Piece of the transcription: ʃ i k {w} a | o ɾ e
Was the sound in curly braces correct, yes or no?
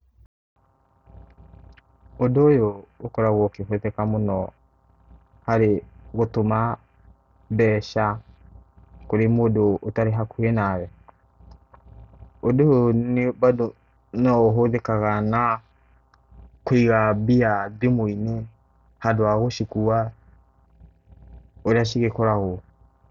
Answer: no